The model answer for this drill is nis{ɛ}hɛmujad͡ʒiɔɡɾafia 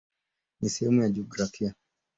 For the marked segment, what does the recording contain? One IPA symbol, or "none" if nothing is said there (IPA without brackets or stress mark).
ɛ